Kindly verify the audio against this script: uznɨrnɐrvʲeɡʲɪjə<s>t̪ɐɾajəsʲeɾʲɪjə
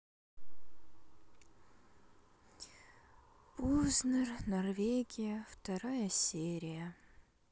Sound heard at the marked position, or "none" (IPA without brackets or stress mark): f